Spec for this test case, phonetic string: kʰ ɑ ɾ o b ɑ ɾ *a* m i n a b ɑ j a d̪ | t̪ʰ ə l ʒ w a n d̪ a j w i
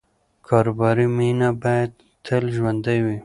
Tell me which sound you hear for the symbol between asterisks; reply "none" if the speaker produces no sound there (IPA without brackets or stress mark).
i